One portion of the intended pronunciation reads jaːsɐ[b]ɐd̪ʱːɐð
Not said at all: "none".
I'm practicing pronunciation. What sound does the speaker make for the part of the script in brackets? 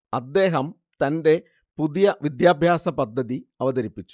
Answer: p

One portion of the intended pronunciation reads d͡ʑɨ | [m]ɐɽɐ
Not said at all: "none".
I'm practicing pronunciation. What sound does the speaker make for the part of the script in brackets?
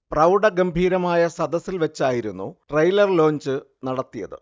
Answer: n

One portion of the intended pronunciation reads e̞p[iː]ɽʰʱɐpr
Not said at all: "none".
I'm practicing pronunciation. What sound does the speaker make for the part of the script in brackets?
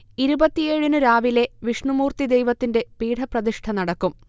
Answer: iː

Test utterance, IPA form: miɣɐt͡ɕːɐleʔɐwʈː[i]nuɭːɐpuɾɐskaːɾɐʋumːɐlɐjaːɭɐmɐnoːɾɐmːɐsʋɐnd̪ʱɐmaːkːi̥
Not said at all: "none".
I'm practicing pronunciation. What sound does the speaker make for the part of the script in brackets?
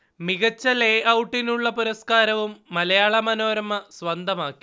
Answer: i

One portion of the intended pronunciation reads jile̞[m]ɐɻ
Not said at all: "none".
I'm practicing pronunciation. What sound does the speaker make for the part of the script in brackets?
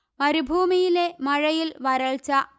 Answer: m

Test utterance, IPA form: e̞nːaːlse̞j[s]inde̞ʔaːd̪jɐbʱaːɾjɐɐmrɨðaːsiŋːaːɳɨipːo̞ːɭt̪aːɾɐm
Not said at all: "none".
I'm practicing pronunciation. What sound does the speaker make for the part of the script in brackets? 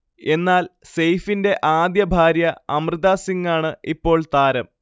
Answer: f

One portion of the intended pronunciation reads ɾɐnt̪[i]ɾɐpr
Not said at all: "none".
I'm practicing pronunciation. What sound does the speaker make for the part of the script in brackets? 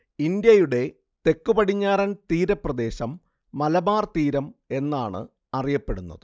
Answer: iː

